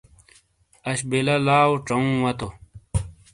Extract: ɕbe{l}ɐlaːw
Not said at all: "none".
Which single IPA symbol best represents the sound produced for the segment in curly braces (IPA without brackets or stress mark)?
l